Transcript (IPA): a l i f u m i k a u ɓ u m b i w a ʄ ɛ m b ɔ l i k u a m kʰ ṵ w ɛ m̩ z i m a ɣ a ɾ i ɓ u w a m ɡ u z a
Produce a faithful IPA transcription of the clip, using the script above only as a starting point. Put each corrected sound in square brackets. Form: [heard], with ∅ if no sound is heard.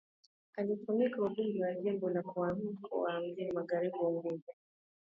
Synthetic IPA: a l i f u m i k a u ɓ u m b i w a ʄ ɛ m b ɔ l [a] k u a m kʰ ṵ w [a] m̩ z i m a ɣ a ɾ i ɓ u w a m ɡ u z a